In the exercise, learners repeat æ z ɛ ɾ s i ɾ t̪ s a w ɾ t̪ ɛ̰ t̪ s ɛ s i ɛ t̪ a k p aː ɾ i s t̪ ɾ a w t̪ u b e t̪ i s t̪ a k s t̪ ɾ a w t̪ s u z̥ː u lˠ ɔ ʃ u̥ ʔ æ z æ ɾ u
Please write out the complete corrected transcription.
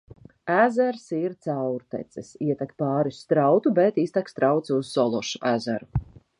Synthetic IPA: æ z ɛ ɾ s i ɾ t̪ s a w ɾ t̪ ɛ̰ t̪ s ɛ s i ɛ t̪ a k p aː ɾ i s t̪ ɾ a w t̪ u b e t̪ i s t̪ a k s t̪ ɾ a w t̪ s u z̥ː ɔ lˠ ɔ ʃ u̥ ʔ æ z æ ɾ u